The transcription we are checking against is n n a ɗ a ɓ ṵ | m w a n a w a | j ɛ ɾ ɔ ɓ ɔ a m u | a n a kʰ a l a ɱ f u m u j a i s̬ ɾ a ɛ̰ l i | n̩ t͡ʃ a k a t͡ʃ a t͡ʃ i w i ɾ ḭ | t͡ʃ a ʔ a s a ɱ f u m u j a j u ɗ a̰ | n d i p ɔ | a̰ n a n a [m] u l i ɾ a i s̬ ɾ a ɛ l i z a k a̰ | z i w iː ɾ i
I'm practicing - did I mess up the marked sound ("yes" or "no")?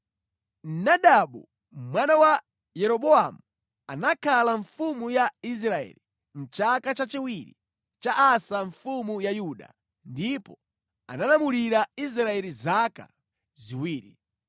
no